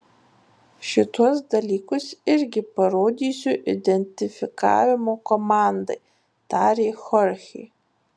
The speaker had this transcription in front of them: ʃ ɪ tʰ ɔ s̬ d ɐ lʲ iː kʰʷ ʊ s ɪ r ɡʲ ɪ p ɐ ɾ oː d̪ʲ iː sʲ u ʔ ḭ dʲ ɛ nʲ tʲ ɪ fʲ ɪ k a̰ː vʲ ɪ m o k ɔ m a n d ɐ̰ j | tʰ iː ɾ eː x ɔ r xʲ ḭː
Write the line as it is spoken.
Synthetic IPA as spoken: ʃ ɪ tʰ ɔ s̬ d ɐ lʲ iː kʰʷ ʊ s ɪ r ɡʲ ɪ p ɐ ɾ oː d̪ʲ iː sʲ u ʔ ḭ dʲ ɛ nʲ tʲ ɪ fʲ ɪ k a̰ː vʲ ɪ m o k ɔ m a n d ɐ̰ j | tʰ aː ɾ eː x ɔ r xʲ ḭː